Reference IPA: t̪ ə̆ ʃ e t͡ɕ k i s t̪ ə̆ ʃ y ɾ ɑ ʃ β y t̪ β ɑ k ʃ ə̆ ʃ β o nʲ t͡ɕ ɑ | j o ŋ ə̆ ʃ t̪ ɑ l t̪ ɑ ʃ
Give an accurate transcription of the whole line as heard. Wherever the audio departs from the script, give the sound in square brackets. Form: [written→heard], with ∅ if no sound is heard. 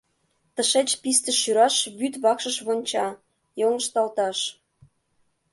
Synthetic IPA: t̪ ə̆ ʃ e t͡ɕ [k→p] i s t̪ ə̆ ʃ y ɾ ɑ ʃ β y t̪ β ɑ k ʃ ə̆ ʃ β o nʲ t͡ɕ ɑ | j o ŋ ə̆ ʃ t̪ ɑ l t̪ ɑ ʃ